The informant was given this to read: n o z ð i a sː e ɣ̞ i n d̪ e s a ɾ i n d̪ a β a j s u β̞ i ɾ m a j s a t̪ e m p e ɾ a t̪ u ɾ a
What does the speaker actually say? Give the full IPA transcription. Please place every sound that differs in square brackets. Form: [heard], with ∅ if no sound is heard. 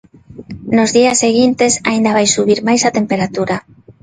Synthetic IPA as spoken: n o z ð i a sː e ɣ̞ i n [t̪] e s a [∅] i n d̪ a β a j s u β̞ i ɾ m a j s a t̪ e m p e ɾ a t̪ u ɾ a